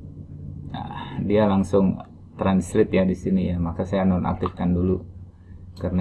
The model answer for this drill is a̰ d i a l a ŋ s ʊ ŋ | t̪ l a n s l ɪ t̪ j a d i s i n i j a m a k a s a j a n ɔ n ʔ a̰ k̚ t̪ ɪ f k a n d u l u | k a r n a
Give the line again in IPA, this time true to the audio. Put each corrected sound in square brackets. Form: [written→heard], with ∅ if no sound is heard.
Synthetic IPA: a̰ d i a l a ŋ s ʊ ŋ | t̪ [l→ɾ] a n s [l→ɾ] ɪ t̪ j a d i s i n i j a m a k a s a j a n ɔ n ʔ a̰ k̚ t̪ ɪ f k a n d u l u | k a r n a